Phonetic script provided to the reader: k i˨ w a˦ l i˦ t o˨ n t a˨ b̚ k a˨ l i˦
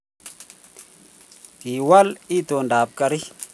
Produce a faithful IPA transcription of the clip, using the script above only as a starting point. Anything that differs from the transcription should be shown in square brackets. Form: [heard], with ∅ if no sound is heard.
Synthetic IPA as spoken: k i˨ w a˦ l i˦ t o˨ n [d] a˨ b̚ k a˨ [ɾ] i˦